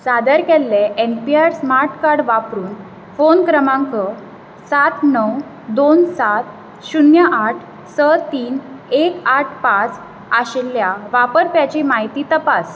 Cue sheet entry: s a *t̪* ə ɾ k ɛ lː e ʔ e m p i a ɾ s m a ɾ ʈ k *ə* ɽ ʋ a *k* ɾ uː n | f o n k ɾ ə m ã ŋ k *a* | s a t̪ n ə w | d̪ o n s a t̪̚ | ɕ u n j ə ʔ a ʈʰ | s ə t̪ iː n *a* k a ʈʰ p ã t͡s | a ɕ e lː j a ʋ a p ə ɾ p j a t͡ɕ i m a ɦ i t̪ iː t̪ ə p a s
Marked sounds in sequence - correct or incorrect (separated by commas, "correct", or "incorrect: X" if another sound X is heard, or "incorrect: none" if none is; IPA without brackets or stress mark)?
incorrect: d̪, incorrect: a, incorrect: p, incorrect: ə, incorrect: e